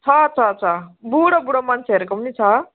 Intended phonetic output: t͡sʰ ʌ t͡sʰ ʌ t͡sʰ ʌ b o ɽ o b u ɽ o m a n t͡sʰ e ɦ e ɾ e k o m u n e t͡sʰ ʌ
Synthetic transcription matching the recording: t͡sʰ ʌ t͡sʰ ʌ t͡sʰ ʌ b u ɽ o b u ɽ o m a n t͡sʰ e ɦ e ɾ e k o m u n i t͡sʰ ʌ